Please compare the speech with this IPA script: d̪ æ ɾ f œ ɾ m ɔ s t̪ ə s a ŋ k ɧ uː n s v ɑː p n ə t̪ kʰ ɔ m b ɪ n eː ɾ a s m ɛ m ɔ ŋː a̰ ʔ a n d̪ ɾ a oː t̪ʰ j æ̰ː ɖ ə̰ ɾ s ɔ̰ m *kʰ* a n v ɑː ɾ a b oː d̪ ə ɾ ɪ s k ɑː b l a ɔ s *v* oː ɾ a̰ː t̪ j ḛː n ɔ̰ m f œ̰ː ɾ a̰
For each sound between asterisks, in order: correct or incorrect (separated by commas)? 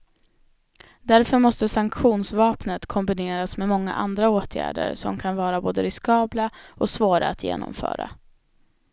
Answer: correct, correct